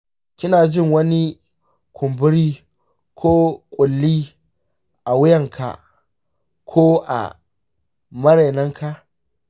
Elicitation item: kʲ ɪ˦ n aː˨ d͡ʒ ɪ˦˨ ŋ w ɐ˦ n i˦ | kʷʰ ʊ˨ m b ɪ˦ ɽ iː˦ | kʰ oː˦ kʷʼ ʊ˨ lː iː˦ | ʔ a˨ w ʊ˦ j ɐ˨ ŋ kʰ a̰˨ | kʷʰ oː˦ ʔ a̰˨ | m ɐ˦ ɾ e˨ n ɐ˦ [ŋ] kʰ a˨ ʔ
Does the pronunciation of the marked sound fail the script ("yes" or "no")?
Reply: no